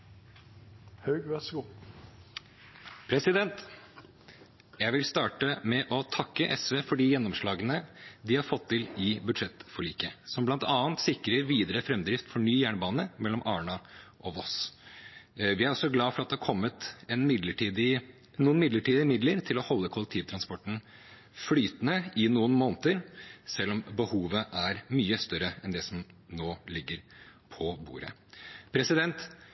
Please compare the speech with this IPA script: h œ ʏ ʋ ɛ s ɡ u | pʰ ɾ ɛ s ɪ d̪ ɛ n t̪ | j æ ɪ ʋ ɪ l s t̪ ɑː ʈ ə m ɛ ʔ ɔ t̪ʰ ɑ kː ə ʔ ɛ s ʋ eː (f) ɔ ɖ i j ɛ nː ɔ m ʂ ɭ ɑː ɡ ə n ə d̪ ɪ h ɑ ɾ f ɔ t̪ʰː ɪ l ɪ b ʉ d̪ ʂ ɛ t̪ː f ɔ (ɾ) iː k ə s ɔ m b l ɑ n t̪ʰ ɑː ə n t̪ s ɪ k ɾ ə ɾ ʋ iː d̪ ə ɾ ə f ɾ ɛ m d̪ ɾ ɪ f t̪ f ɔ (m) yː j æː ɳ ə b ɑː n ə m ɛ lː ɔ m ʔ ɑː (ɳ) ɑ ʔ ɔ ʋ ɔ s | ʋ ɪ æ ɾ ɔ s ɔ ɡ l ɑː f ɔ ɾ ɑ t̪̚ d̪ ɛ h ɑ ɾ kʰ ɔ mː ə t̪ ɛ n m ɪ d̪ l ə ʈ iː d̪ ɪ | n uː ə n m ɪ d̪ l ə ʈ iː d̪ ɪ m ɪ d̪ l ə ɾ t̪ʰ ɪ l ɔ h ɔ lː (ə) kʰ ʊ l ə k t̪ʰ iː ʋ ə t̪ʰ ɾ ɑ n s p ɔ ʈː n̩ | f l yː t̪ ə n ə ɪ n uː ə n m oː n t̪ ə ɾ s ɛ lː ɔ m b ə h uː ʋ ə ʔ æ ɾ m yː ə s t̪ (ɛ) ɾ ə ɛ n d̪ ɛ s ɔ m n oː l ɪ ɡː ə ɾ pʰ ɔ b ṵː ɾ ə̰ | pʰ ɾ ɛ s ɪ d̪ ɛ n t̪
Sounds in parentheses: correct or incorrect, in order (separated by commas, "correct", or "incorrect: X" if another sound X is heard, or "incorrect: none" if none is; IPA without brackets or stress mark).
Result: correct, incorrect: ɭ, incorrect: ɳ, correct, correct, incorrect: œ